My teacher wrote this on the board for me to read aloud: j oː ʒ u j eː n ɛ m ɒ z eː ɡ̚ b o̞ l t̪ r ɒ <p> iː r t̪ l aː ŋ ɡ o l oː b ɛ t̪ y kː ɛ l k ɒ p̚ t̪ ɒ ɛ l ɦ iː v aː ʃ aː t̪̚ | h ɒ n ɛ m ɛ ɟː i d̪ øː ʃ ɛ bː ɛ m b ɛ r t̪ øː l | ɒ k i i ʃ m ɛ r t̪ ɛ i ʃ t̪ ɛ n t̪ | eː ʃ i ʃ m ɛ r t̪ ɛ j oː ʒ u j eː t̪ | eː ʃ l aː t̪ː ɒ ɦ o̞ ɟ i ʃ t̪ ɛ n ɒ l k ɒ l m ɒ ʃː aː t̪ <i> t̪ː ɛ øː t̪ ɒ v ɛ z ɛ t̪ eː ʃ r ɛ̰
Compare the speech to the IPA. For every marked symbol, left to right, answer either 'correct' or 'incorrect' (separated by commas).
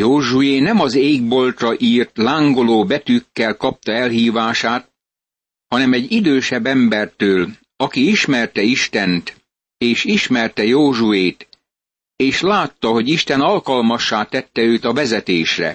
incorrect, incorrect